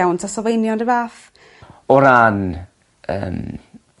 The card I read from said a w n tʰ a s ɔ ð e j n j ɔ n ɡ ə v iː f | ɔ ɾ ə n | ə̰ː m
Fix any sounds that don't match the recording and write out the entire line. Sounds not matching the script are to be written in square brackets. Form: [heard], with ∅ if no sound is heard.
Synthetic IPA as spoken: a w n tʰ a s ɔ [v] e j n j ɔ n [d] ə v [aː] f | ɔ ɾ [a] n | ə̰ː m